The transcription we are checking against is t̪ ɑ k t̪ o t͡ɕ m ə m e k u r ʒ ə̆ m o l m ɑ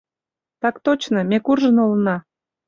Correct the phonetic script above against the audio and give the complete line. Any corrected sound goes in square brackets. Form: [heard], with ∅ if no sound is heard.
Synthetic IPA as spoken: t̪ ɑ k t̪ o t͡ɕ [n] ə m e k u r ʒ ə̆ [n] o l [n] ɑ